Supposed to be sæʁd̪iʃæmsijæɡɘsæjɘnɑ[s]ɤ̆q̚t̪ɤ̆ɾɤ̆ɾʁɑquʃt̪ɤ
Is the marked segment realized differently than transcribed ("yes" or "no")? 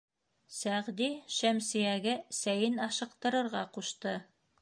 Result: yes